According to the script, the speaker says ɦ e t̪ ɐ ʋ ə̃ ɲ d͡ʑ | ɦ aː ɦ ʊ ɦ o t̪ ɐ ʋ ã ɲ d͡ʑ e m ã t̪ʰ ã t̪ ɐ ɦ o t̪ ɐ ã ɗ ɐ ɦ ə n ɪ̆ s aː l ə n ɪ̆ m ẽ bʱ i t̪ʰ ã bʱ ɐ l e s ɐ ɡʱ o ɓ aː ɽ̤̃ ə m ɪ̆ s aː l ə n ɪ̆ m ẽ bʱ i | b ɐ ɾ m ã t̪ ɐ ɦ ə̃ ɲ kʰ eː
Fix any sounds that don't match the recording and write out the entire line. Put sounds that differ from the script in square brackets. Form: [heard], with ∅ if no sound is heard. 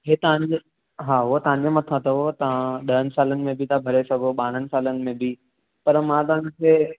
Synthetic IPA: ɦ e t̪ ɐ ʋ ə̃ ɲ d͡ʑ | ɦ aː ɦ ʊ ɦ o t̪ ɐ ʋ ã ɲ d͡ʑ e m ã t̪ʰ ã t̪ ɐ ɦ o t̪ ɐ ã ɗ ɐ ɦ ə n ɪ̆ s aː l ə n ɪ̆ m ẽ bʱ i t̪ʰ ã bʱ ɐ [ɾ] e s ɐ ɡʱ o ɓ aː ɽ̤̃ ə [n] ɪ̆ s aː l ə n ɪ̆ m ẽ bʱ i | [p] ɐ ɾ m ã t̪ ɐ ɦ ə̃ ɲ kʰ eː

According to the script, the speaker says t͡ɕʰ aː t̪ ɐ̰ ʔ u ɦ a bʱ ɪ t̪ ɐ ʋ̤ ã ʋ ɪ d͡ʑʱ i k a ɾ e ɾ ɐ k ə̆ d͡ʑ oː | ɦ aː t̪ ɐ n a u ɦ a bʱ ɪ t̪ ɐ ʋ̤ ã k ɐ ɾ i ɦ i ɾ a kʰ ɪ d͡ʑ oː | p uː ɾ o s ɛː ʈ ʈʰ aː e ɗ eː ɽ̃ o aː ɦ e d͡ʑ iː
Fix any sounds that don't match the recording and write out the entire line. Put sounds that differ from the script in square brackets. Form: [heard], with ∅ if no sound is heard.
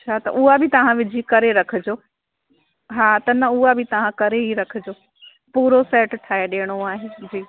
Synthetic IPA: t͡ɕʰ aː t̪ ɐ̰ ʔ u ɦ a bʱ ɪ t̪ ɐ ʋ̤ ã ʋ ɪ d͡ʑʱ i k [ɐ] ɾ e ɾ ɐ [kʰ] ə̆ d͡ʑ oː | ɦ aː t̪ ɐ n [ɐ] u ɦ a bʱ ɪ t̪ ɐ ʋ̤ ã k ɐ ɾ [e] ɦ i ɾ [ɐ] kʰ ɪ d͡ʑ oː | p uː ɾ o s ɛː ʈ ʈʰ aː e ɗ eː ɽ̃ o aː ɦ e d͡ʑ iː

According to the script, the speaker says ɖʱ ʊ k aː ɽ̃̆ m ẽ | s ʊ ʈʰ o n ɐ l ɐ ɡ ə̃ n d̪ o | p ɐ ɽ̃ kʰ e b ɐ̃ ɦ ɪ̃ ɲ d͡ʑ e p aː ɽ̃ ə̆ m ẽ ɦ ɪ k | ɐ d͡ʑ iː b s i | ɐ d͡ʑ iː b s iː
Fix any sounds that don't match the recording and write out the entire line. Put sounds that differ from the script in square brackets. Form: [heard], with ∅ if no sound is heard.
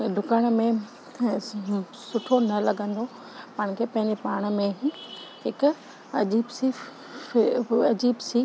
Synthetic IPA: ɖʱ ʊ k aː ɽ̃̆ m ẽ | s ʊ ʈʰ o n ɐ l ɐ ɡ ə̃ n d̪ o | p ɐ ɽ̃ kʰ e [p] ɐ̃ ɦ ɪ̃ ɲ d͡ʑ e p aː ɽ̃ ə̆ m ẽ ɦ ɪ k | ɐ d͡ʑ iː b s i | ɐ d͡ʑ iː b s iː

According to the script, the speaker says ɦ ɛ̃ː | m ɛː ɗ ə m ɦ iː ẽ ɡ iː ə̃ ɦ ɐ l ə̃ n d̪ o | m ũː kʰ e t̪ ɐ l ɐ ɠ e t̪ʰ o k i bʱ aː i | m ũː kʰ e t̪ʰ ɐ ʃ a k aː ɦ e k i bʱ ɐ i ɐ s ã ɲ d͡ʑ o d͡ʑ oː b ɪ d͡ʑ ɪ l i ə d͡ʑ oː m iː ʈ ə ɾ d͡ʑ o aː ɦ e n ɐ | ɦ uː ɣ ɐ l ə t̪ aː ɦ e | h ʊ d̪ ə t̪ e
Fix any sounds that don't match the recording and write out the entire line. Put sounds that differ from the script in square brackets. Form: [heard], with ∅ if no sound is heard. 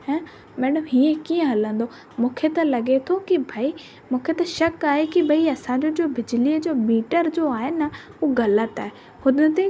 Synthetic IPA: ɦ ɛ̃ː | m ɛː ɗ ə m ɦ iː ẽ [k] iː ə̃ ɦ ɐ l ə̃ n d̪ o | m ũː kʰ e t̪ ɐ l ɐ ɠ e t̪ʰ o k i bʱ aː i | m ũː kʰ e [t̪] ɐ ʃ [ɐ] k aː ɦ e k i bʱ ɐ i ɐ s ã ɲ d͡ʑ o d͡ʑ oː b ɪ d͡ʑ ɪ l i ə d͡ʑ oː m iː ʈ ə ɾ d͡ʑ o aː ɦ e n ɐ | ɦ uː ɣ ɐ l ə t̪ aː ɦ e | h ʊ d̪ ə t̪ e

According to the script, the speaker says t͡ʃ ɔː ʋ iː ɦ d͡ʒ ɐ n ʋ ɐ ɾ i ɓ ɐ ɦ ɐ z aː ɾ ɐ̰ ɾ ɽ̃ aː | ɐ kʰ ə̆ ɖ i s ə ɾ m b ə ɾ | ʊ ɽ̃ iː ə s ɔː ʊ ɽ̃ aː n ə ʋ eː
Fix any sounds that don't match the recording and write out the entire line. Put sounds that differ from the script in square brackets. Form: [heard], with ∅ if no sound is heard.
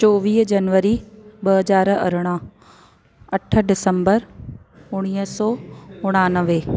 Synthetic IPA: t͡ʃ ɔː ʋ iː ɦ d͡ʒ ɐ n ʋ [ə] ɾ i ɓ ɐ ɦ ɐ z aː ɾ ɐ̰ ɾ ɽ̃ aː | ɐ [ʈʰ] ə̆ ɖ [ɪ] s ə [∅] m b ə ɾ | ʊ ɽ̃ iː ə s ɔː ʊ ɽ̃ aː n ə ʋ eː

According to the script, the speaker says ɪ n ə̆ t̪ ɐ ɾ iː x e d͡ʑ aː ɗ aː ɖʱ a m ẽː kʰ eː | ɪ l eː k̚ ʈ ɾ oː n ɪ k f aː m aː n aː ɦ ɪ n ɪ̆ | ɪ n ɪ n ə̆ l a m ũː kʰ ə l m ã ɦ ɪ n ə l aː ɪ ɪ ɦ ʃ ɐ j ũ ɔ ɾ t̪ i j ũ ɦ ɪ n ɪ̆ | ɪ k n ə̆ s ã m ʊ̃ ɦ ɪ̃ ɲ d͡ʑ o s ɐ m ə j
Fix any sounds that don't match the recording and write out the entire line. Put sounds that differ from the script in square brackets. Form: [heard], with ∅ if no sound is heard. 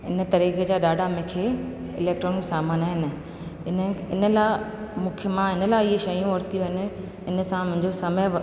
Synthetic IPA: ɪ n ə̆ t̪ ɐ ɾ iː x e d͡ʑ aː ɗ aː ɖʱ a m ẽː kʰ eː | ɪ l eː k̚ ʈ ɾ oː n ɪ k [s] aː m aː n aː ɦ ɪ n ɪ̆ | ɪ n ɪ n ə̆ l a m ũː kʰ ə [∅] m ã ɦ ɪ n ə l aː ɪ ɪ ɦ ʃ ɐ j ũ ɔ ɾ t̪ i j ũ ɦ ɪ n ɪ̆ | ɪ [∅] n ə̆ s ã m ʊ̃ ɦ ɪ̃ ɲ d͡ʑ o s ɐ m ə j

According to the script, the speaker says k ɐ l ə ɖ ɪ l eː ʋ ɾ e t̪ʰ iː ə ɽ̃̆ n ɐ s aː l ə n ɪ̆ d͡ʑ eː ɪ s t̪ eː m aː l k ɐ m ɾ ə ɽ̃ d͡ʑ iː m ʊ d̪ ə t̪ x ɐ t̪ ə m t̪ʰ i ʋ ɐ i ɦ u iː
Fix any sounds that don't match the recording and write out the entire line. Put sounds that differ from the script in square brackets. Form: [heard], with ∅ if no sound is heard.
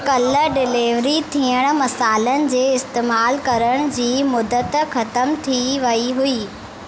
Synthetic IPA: k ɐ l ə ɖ ɪ l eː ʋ ɾ [i] t̪ʰ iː ə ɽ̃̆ [m] ɐ s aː l ə n ɪ̆ d͡ʑ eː ɪ s t̪ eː m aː l k ɐ [∅] ɾ ə ɽ̃ d͡ʑ iː m ʊ d̪ ə t̪ x ɐ t̪ ə m t̪ʰ i ʋ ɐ i ɦ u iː

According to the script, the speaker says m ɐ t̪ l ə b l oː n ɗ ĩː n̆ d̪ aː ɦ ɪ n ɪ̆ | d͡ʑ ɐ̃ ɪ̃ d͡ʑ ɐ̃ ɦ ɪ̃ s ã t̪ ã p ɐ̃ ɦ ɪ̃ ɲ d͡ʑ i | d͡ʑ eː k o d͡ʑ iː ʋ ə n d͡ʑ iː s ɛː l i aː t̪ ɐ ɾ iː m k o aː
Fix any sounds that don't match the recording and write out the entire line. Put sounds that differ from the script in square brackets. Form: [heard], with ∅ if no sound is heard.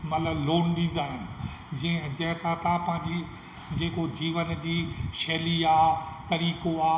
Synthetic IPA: m ɐ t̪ l ə b l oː n ɗ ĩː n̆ d̪ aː ɦ ɪ n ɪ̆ | d͡ʑ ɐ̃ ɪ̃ d͡ʑ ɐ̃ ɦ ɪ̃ s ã t̪ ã p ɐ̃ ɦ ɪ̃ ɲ d͡ʑ i | d͡ʑ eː k o d͡ʑ iː ʋ ə n d͡ʑ iː [ʃ] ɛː l i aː t̪ ɐ ɾ iː [∅] k o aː

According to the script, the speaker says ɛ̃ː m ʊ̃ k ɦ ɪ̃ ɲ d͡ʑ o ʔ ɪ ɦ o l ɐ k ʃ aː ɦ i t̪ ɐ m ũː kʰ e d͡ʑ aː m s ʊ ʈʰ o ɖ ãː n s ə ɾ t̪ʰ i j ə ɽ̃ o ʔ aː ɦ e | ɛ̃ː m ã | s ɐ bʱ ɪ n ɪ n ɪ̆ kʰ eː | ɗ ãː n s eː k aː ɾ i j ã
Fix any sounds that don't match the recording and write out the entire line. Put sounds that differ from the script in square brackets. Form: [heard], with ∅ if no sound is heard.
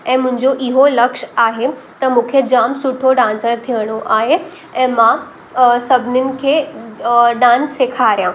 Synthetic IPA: ɛ̃ː m ʊ̃ [∅] ɦ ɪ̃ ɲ d͡ʑ o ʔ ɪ ɦ o l ɐ k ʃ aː ɦ [e] t̪ ɐ m ũː kʰ e d͡ʑ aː m s ʊ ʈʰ o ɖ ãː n s ə ɾ t̪ʰ i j ə ɽ̃ o ʔ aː ɦ e | ɛ̃ː m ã | s ɐ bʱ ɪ n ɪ n ɪ̆ kʰ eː | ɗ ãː n s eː [kʰ] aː ɾ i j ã

